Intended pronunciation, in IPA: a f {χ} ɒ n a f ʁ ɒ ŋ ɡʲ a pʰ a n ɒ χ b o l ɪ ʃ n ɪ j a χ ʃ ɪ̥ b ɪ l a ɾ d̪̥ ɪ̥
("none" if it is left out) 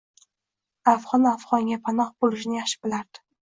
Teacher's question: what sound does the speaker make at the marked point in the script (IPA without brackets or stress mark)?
ʁ